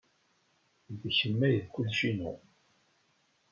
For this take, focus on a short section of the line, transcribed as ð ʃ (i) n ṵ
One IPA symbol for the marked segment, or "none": i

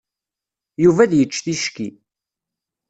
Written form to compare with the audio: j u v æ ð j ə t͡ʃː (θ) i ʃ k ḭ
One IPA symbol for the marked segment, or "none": θ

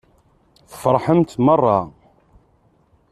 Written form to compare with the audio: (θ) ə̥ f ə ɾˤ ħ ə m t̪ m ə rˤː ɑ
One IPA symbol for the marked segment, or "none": θ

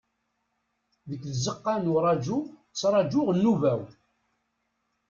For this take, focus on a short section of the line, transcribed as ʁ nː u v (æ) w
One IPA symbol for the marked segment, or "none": æ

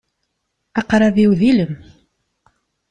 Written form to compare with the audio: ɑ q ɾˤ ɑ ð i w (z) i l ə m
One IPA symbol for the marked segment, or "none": ð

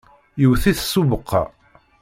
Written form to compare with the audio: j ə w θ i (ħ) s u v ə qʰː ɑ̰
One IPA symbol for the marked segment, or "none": θ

